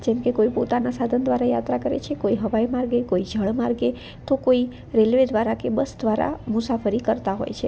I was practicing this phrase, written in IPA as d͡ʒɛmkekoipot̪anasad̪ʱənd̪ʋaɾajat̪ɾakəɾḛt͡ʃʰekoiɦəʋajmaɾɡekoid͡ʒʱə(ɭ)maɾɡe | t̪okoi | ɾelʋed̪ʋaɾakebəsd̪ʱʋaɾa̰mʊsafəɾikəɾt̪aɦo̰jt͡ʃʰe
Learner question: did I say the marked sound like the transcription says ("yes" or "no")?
yes